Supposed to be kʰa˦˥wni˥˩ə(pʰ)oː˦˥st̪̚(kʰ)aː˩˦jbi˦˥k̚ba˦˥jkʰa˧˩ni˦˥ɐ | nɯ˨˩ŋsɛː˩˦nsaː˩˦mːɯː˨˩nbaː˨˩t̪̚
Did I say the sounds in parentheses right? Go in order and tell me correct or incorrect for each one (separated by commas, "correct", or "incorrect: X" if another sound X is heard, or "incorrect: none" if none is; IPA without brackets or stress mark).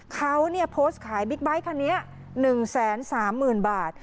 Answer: correct, correct